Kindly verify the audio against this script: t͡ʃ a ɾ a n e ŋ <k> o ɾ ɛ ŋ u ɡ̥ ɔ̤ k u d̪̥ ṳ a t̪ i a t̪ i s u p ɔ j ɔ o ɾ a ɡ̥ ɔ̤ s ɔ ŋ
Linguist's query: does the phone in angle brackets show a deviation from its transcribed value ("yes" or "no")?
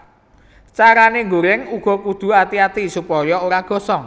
yes